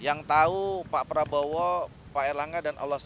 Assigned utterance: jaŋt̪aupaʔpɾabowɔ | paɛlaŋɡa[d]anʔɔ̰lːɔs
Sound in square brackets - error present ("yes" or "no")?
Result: no